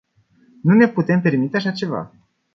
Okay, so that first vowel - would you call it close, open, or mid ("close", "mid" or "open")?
close